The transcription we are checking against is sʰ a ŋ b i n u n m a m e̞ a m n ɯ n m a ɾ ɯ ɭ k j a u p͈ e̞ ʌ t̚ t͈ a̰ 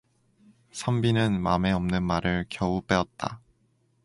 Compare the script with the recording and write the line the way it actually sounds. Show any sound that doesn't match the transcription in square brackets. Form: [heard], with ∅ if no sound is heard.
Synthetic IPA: sʰ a [m] b i n [ɯ] n m a m e̞ [ʌ] m n ɯ n m a ɾ ɯ ɭ k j [ʌ] u p͈ e̞ ʌ t̚ t͈ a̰